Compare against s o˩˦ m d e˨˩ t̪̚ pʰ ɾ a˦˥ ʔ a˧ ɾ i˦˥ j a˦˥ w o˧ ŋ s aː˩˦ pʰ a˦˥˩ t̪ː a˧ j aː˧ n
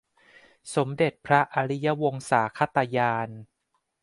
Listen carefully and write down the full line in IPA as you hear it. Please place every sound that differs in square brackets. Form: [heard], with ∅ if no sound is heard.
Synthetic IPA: s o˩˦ m d e˨˩ t̪̚ pʰ ɾ a˦˥ ʔ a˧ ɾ i˦˥ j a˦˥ w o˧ ŋ s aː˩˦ [kʰ] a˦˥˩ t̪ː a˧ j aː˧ n